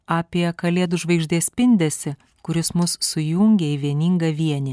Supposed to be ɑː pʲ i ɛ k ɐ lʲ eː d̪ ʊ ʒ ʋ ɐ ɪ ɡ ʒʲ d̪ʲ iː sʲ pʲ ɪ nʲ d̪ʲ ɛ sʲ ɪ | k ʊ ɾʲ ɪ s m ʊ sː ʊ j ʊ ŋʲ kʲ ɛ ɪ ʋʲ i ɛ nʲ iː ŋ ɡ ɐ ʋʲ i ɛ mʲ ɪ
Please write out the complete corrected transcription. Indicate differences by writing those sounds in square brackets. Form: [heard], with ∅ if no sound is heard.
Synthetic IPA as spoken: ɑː pʲ i ɛ k ɐ lʲ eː d̪ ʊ ʒ ʋ ɐ ɪ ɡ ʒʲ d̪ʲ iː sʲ pʲ ɪ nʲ d̪ʲ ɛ sʲ ɪ | k ʊ ɾʲ ɪ s m ʊ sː ʊ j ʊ ŋʲ [ɡʲ] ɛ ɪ ʋʲ i ɛ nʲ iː ŋ ɡ ɐ ʋʲ i ɛ [nʲ] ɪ